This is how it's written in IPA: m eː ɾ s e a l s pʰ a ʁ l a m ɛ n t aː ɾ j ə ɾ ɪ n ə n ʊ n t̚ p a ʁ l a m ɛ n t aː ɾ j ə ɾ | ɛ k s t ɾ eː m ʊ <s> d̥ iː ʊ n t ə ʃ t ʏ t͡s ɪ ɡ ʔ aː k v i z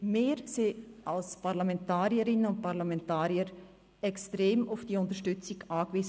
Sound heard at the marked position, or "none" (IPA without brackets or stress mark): f